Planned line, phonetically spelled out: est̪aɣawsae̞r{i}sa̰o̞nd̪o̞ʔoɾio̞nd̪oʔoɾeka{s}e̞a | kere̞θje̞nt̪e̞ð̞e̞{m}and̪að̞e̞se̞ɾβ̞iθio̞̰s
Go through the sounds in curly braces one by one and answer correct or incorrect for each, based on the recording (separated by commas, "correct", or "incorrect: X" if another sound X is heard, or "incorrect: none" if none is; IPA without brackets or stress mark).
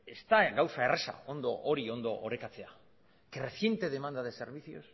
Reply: incorrect: e, incorrect: t͡s, correct